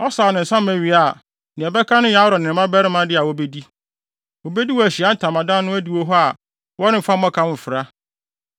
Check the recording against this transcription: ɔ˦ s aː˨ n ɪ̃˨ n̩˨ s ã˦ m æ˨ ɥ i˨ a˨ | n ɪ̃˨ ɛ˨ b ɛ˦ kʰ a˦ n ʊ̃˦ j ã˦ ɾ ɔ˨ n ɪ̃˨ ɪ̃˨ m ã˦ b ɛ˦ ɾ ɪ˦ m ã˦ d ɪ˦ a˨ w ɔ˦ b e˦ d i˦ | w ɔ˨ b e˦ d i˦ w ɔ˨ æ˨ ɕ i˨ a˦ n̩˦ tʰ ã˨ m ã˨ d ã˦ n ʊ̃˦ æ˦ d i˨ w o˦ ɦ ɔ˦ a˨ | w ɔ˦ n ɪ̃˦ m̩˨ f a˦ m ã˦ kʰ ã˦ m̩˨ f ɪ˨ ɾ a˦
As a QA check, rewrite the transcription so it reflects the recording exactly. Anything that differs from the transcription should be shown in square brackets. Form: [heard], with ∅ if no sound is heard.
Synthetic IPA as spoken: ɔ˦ s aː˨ n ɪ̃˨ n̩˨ s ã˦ m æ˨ ɥ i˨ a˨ | n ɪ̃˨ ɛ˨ b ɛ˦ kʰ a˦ n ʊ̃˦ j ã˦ ɾ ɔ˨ n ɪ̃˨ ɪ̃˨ m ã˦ b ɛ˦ ɾ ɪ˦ m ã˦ d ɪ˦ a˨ w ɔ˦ b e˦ d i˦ | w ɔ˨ b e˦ d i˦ w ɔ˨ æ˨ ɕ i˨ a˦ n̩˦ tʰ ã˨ m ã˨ d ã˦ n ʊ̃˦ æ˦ d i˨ w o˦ ɦ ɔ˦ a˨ | w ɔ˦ n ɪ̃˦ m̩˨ f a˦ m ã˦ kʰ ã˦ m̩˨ f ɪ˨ ɾ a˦

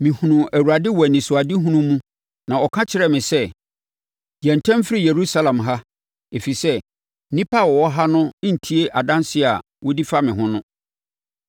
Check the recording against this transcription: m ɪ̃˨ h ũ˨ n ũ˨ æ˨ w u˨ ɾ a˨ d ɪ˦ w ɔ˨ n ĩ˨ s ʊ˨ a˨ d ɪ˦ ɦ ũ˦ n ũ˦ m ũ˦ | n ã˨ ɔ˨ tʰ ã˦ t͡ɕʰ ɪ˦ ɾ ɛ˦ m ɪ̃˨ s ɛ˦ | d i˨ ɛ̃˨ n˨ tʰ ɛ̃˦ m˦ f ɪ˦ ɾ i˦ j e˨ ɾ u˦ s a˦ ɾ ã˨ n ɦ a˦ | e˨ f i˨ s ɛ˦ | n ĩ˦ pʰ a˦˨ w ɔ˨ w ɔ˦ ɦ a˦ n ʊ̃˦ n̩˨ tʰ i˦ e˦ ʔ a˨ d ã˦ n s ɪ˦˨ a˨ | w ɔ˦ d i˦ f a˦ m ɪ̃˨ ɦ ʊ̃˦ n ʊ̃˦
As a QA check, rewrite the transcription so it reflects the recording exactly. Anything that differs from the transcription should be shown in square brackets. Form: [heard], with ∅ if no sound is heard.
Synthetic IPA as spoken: m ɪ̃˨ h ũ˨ n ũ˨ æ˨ w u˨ ɾ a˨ d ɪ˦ w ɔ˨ n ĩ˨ s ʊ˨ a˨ d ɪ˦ ɦ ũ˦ n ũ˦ m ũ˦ | n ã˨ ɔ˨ [kʰ] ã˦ t͡ɕʰ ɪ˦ ɾ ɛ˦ m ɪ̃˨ s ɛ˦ | d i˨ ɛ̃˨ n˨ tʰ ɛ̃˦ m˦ f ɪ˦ ɾ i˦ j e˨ ɾ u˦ s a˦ [l] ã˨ [m] ɦ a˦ | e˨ f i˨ s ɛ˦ | n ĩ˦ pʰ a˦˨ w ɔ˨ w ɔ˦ ɦ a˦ n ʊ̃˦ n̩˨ tʰ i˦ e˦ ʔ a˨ d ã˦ n s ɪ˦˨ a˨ | w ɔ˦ d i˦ f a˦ m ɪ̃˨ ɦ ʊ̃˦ n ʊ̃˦

